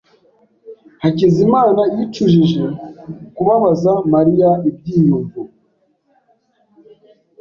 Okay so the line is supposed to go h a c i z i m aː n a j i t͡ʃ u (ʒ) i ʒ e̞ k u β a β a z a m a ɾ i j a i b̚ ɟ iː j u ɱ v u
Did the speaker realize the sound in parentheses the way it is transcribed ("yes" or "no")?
yes